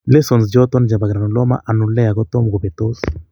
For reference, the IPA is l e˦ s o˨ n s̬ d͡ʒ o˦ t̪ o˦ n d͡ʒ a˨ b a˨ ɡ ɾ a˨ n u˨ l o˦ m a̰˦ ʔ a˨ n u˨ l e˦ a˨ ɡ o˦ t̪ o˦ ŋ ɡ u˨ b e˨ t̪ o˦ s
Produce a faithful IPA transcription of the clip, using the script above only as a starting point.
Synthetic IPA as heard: l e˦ s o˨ n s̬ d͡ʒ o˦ t̪ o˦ n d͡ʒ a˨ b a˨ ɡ ɾ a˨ n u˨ l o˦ m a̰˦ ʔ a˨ n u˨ l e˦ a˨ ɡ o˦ t̪ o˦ m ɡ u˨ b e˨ t̪ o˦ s